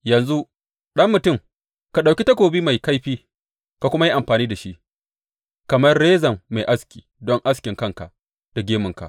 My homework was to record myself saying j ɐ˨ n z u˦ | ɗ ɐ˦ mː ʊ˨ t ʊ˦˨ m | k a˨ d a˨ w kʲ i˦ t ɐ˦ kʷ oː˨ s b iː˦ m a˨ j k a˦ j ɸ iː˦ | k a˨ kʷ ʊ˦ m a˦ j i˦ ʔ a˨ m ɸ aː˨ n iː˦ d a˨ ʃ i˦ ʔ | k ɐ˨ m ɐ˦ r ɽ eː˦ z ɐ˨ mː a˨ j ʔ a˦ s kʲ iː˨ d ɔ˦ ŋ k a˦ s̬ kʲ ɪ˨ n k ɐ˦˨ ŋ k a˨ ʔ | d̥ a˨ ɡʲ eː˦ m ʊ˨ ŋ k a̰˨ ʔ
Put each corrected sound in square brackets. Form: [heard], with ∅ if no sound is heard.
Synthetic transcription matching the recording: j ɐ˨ n z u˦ | ɗ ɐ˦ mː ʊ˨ t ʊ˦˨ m | k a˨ [ɗ] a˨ w kʲ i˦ t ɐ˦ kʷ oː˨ [∅] b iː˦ m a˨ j k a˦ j ɸ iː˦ | k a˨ kʷ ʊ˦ m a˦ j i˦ ʔ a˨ m ɸ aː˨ n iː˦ d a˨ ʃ i˦ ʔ | k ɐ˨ m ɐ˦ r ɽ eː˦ z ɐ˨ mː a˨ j ʔ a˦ s kʲ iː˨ d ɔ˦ ŋ [ʔ] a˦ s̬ kʲ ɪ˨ [ŋ] k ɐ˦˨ ŋ k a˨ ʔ | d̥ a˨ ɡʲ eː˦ m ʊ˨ ŋ k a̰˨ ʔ

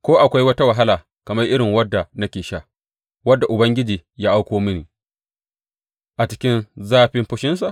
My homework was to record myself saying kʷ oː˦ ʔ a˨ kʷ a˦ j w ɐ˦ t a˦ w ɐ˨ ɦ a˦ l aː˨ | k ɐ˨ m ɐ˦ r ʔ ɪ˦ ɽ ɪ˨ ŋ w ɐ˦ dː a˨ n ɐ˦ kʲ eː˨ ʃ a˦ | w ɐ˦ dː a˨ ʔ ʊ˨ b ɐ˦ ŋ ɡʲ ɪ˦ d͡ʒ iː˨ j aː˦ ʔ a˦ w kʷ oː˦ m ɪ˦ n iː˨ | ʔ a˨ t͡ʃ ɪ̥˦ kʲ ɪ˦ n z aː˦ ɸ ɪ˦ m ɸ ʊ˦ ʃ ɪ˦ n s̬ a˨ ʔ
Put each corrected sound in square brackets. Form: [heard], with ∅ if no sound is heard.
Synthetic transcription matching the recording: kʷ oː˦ ʔ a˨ kʷ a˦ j w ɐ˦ t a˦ w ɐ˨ ɦ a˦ l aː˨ | k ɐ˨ m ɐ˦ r ʔ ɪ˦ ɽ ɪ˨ ŋ w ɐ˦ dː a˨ n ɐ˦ kʲ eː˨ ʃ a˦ | w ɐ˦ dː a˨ ʔ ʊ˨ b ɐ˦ ŋ ɡʲ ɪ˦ d͡ʒ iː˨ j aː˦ ʔ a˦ w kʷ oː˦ m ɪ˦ n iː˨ | ʔ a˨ t͡ʃ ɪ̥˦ kʲ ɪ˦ n z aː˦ ɸ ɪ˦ m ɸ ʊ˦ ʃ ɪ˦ n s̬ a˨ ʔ

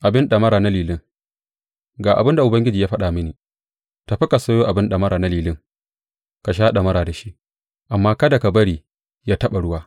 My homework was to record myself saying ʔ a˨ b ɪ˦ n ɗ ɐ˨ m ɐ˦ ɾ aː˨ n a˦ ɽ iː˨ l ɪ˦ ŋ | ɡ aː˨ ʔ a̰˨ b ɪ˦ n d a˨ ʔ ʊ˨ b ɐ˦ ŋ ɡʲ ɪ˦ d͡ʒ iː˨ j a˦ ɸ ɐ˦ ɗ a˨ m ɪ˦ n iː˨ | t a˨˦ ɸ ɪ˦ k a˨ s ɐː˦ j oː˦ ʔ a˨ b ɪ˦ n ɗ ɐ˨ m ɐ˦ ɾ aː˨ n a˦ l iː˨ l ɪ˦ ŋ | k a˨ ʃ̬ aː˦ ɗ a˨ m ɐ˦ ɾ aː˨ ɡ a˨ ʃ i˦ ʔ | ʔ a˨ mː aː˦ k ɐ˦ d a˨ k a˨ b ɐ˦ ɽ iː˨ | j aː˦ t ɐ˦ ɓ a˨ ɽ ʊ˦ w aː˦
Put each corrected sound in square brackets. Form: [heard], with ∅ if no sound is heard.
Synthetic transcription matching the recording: ʔ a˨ b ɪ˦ n ɗ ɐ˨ m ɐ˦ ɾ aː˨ n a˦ [l] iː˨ l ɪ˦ ŋ | ɡ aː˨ ʔ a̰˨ b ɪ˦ n d a˨ ʔ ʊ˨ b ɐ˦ ŋ ɡʲ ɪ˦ d͡ʒ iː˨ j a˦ ɸ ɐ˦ ɗ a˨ m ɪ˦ n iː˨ | t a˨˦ ɸ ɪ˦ k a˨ s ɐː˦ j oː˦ ʔ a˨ b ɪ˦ n ɗ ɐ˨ m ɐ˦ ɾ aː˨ n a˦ l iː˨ l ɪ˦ ŋ | k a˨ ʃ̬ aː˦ ɗ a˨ m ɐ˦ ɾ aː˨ [d] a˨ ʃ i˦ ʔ | ʔ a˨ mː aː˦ k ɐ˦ d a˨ k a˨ b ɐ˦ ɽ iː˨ | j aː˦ t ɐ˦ ɓ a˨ ɽ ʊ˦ w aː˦

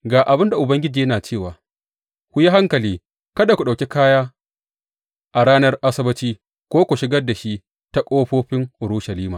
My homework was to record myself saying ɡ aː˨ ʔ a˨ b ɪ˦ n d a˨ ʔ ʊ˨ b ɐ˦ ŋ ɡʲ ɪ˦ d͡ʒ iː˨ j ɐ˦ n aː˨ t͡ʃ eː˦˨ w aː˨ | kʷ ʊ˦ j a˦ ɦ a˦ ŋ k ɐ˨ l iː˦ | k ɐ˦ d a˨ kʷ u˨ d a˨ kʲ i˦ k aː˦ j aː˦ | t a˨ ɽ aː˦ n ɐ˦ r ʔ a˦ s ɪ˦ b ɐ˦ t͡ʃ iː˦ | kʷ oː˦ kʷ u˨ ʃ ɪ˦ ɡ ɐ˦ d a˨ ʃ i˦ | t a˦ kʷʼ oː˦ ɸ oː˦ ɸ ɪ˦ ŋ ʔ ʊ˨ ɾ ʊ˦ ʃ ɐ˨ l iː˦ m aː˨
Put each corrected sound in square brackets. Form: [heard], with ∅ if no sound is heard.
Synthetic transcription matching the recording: ɡ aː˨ ʔ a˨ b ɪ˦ n d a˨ ʔ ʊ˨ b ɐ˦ ŋ ɡʲ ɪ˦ d͡ʒ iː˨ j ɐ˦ n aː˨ t͡ʃ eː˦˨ w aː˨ | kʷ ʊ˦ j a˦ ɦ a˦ ŋ k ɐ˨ l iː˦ | k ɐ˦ d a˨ kʷ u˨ [ɗ] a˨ kʲ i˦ k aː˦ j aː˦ | [ʔ] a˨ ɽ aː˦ n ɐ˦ r ʔ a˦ s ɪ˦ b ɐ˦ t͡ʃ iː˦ | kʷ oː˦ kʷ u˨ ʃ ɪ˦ ɡ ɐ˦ d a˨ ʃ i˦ | t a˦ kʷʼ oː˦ ɸ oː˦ ɸ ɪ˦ ŋ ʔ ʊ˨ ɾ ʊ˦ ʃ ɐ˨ l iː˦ m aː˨

